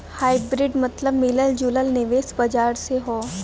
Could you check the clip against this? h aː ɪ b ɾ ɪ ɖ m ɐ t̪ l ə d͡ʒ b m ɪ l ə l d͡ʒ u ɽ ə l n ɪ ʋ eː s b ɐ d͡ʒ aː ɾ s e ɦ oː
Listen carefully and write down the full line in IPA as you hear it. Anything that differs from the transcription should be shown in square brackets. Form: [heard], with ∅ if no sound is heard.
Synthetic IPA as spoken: h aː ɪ b ɾ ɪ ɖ m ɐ t̪ l ə [∅] b m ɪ l ə l d͡ʒ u [l] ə l n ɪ ʋ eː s b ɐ d͡ʒ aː ɾ s e ɦ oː